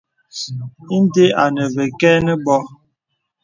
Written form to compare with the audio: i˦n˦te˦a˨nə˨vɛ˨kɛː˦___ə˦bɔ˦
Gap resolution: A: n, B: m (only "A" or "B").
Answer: A